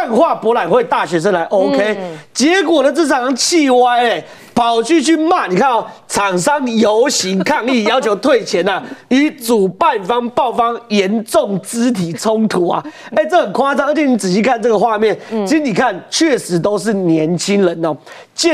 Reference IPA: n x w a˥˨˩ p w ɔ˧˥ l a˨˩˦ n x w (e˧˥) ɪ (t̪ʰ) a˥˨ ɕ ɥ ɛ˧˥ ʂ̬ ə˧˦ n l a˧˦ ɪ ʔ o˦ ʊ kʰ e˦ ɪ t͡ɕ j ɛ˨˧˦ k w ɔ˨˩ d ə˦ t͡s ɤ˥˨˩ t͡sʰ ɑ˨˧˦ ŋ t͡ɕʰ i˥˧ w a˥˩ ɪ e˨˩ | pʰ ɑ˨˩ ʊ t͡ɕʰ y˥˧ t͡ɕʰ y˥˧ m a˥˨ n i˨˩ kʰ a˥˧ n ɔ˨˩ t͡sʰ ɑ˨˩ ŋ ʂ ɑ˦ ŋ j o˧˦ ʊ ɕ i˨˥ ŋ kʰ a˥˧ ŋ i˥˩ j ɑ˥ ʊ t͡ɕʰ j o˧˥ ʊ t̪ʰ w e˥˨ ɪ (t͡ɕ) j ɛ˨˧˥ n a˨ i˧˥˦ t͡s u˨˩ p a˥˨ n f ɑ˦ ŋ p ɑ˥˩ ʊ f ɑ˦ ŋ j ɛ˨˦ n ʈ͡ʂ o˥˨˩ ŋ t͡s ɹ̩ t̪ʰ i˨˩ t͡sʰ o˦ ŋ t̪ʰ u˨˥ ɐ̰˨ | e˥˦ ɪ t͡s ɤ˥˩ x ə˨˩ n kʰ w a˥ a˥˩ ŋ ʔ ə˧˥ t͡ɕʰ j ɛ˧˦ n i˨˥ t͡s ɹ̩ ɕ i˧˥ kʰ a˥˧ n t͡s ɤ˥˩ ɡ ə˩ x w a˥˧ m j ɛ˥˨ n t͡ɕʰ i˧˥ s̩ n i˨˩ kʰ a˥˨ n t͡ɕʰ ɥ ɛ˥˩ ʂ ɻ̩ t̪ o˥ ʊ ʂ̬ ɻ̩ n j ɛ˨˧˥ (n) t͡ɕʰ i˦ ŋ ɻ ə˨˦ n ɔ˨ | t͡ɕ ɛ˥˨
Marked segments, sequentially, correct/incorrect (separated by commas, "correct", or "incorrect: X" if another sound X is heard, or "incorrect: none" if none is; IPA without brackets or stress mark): incorrect: e˥˧, incorrect: t̪, incorrect: t͡ɕʰ, correct